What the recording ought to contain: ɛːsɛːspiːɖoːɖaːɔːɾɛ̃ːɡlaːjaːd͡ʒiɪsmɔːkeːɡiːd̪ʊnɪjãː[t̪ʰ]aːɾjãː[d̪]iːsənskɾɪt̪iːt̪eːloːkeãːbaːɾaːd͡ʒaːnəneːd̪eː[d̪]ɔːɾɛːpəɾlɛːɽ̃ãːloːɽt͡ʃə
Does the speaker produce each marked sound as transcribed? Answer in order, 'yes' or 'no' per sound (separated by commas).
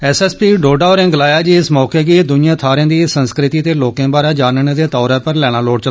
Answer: yes, yes, no